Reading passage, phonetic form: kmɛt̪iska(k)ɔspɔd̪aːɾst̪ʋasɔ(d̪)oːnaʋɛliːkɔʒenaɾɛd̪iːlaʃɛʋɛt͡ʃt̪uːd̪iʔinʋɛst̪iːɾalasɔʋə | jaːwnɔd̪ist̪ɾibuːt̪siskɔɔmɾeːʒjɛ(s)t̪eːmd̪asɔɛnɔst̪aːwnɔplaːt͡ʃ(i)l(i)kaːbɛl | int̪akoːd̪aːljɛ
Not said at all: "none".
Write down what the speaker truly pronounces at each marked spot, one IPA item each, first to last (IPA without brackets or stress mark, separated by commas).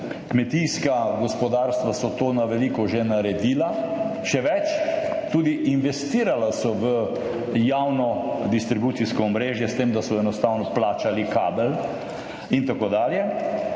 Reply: ɡ, t̪, s, a, i